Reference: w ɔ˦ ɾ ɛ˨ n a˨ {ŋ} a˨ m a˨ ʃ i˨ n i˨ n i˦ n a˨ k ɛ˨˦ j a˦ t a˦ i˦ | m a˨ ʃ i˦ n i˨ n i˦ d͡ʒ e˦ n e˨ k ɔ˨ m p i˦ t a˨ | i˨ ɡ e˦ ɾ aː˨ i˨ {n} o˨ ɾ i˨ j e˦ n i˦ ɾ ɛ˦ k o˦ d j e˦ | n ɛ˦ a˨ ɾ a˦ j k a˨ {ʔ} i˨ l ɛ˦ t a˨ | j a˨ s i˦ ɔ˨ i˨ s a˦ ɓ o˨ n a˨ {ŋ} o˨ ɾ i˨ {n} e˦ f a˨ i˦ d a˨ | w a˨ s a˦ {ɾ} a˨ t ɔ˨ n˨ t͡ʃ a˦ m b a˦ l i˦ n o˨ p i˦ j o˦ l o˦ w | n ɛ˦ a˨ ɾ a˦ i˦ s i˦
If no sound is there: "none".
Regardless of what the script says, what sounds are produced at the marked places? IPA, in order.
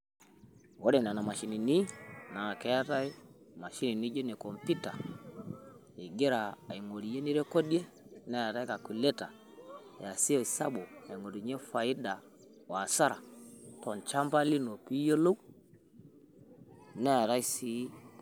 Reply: n, ŋ, k, ŋ, ɲ, ɾ

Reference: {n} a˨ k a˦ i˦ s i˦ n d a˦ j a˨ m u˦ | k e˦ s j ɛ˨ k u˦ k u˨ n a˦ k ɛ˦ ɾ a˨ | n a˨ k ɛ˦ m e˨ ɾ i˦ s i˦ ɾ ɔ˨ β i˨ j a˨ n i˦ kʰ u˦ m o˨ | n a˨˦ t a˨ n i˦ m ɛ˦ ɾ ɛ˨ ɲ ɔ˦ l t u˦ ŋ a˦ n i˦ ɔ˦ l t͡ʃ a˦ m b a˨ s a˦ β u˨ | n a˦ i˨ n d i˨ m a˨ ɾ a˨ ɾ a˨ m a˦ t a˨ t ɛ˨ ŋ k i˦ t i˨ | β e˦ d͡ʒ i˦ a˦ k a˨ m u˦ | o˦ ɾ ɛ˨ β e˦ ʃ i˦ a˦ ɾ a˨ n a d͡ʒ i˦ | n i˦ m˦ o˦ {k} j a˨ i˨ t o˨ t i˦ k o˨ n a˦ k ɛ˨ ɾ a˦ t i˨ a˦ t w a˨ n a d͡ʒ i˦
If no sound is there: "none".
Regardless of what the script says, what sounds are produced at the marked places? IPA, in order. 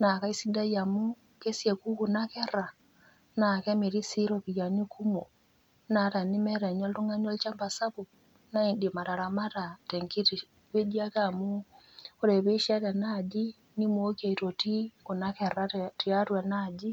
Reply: n, k

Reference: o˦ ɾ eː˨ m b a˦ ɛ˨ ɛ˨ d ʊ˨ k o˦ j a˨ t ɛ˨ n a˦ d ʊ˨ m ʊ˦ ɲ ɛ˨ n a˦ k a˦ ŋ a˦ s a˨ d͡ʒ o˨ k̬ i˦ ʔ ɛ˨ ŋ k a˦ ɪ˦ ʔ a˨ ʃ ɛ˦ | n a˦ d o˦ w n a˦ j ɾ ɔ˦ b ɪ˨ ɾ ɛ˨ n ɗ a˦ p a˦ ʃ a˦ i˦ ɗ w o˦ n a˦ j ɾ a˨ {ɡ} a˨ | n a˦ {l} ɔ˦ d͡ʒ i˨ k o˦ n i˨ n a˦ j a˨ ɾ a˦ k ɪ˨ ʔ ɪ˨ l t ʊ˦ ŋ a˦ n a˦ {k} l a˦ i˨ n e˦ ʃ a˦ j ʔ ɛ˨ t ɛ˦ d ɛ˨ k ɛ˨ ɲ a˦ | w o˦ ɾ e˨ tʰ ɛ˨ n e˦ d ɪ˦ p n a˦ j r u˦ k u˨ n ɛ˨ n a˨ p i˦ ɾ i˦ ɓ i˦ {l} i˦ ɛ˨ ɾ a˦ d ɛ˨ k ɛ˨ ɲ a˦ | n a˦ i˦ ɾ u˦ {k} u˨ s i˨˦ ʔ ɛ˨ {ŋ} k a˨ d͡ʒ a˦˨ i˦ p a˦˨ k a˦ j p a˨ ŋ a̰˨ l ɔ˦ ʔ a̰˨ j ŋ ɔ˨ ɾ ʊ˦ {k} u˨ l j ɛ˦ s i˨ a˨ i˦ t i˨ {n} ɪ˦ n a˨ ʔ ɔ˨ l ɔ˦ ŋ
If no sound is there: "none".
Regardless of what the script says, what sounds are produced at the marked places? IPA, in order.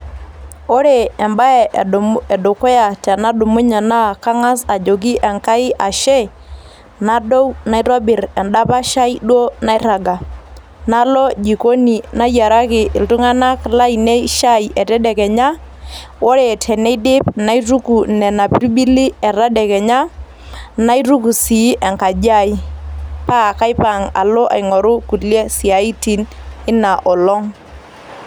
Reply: ɡ, l, k, l, k, ŋ, k, n

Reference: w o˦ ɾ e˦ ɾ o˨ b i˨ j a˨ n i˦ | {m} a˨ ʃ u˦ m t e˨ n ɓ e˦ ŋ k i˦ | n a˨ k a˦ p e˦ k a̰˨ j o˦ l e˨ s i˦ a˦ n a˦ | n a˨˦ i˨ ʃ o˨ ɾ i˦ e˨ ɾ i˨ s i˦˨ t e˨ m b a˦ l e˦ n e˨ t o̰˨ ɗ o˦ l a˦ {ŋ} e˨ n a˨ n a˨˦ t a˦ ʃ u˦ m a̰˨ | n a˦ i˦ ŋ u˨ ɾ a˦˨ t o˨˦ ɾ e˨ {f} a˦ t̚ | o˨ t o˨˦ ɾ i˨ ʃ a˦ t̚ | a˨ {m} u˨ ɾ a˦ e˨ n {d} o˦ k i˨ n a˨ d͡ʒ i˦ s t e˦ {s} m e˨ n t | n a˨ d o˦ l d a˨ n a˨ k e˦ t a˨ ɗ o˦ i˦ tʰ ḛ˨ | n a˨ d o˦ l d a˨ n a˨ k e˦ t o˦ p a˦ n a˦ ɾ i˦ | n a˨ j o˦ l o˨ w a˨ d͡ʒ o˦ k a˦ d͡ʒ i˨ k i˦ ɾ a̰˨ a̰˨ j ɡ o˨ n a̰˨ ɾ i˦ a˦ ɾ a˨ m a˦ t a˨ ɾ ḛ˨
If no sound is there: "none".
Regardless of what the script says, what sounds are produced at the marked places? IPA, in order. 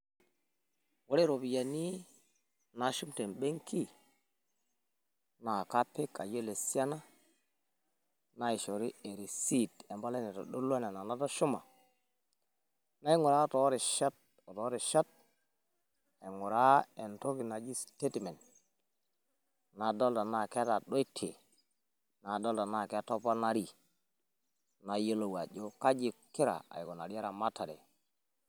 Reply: n, n, ʃ, ŋ, t, t

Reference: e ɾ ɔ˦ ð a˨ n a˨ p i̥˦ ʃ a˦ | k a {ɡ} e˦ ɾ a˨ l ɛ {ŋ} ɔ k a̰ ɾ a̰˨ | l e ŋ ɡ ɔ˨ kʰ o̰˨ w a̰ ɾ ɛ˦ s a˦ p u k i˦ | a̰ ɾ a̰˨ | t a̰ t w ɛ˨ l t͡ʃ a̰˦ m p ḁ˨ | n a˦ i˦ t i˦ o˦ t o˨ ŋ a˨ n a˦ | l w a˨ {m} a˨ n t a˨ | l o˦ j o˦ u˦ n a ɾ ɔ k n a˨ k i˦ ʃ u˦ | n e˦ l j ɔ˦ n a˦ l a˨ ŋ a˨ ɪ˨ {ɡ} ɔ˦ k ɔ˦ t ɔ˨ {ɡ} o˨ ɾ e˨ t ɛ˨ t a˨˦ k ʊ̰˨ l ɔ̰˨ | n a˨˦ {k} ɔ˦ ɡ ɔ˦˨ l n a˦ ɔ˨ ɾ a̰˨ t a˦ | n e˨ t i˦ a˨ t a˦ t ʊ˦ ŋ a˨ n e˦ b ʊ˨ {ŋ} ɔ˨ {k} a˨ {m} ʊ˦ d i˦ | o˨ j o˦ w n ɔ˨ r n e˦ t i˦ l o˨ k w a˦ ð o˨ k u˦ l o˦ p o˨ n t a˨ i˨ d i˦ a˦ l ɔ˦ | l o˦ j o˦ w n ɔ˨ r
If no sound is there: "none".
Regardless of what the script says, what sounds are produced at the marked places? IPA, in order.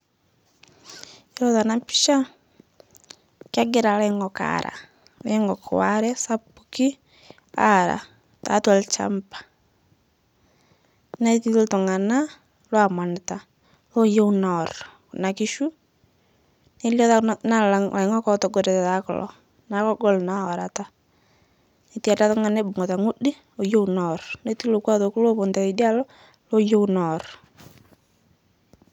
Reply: ɡ, ŋ, m, ŋ, ɡ, k, ŋ, t, ŋ

